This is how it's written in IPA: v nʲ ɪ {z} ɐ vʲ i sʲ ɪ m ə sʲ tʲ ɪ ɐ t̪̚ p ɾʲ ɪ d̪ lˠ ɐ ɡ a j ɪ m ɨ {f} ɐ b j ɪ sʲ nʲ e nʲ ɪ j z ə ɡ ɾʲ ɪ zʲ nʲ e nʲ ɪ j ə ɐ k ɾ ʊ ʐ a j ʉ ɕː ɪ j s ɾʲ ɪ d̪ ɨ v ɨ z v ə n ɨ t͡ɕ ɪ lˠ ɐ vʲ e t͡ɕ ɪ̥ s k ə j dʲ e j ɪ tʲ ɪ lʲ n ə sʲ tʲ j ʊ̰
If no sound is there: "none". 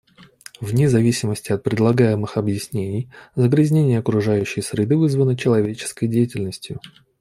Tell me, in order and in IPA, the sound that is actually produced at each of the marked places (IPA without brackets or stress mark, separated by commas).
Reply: z, x